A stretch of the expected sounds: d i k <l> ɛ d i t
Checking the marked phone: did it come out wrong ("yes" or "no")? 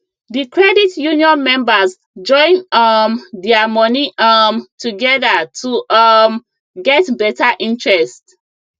yes